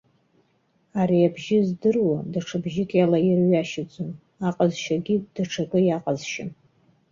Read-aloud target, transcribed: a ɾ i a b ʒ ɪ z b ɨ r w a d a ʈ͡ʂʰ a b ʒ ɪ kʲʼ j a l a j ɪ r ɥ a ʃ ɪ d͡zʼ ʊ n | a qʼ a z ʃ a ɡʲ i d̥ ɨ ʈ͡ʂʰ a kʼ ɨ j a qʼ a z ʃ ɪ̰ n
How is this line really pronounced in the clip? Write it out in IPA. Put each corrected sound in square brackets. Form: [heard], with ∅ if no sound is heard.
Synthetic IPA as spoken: a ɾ i a b ʒ ɪ z [d] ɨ r w a d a ʈ͡ʂʰ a b ʒ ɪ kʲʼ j a l a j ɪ r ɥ a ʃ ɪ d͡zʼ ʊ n | a qʼ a z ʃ a ɡʲ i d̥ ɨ ʈ͡ʂʰ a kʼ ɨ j a qʼ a z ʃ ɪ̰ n